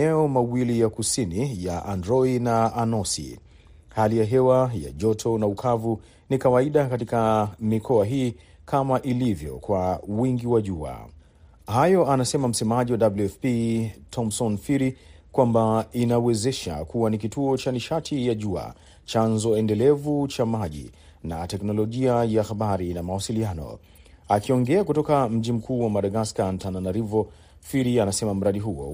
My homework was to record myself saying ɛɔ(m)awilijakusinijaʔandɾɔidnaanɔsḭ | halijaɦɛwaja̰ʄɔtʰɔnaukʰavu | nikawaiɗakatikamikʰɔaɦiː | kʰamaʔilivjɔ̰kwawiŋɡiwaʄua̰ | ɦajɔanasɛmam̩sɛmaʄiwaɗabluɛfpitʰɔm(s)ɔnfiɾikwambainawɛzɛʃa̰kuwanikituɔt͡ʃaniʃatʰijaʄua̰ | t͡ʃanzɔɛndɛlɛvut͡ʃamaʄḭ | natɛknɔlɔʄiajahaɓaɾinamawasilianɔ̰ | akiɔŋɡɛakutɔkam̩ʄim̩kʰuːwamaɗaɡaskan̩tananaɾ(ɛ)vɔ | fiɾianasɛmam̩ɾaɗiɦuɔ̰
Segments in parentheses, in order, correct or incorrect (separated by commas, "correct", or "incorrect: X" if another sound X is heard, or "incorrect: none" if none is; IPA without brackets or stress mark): correct, correct, incorrect: i